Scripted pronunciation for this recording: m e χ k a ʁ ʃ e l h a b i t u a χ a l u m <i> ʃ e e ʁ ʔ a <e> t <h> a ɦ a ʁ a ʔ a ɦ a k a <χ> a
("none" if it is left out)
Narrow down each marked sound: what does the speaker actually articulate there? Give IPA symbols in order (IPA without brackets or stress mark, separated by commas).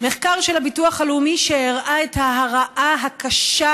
i, e, h, ʃ